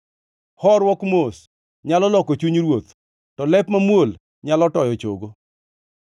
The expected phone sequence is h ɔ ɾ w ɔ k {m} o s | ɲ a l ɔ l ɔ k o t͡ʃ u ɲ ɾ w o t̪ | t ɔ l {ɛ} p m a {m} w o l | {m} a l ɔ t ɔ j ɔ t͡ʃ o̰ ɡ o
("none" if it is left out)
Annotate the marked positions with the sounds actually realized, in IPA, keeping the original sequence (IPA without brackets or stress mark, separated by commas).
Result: m, ɛ, m, ɲ